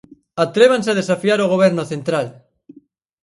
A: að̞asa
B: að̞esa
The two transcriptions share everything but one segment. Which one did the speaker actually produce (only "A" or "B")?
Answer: B